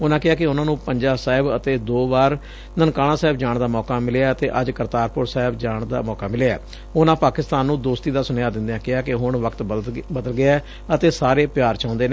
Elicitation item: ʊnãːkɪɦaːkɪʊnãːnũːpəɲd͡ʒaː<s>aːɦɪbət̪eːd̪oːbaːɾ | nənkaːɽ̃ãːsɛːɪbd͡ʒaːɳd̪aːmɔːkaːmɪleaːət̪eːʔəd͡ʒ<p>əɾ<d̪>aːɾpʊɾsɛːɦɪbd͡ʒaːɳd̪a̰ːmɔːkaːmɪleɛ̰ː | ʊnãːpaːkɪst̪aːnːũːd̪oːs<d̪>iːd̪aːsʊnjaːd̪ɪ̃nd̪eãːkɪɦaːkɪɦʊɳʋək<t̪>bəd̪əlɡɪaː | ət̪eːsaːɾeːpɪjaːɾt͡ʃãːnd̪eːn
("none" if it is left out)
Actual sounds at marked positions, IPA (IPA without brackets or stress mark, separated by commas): s, k, t̪, t̪, t̪